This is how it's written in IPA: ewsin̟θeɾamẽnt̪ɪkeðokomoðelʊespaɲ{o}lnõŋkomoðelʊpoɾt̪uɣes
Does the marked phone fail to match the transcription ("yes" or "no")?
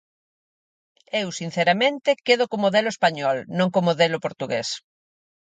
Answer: yes